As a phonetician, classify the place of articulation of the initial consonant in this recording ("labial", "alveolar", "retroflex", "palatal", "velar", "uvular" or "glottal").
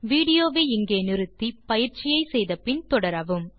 labial